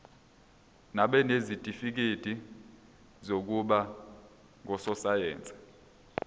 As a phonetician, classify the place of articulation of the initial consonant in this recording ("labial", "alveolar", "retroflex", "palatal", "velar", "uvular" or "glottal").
alveolar